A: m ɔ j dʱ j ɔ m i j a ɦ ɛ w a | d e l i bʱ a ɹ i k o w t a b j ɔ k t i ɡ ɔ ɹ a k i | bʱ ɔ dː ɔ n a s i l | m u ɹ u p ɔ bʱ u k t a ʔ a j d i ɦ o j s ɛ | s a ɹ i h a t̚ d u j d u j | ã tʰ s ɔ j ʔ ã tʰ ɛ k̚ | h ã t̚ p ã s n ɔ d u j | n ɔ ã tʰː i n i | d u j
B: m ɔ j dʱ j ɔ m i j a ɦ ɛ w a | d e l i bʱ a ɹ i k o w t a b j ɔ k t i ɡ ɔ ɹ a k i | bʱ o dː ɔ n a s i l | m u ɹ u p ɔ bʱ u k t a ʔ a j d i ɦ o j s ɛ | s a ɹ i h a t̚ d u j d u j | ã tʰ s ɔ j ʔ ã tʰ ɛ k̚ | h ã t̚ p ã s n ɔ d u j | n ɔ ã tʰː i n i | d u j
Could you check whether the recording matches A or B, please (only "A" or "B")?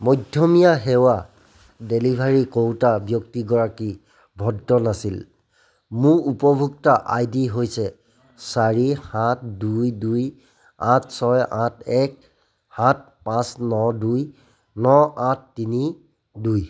A